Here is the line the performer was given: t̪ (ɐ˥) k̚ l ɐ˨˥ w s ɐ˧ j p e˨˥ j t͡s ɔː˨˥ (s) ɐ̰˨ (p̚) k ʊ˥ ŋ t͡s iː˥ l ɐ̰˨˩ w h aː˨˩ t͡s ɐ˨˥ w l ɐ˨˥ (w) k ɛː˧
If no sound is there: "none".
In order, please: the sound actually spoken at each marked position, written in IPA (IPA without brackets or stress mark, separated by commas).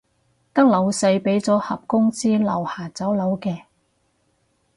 ɐ˥, h, p̚, w